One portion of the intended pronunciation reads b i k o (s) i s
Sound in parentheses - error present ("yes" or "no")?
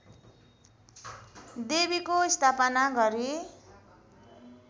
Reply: yes